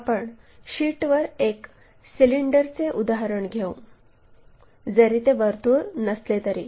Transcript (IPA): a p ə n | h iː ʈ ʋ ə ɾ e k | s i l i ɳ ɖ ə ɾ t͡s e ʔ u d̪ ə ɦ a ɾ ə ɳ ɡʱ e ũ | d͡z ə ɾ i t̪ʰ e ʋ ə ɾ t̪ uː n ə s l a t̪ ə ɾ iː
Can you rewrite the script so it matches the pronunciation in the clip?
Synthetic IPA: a p ə ɳ | ɕ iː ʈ ʋ ə ɾ e k | s i l i ɳ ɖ ə ɾ t͡s e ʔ u d̪ a ɦ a ɾ ə ɳ ɡʱ e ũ | d͡z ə ɾ i t̪ e ʋ ə ɾ t̪ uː n ə s l e t̪ ə ɾ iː